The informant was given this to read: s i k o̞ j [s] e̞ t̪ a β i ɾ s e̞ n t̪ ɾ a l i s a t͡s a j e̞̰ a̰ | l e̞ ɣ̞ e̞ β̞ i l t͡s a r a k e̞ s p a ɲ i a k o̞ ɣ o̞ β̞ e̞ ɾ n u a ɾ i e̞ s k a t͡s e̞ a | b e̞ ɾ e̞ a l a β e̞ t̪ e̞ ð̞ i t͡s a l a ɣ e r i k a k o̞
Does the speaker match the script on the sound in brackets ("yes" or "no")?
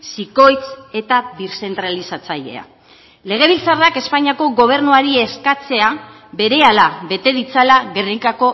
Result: no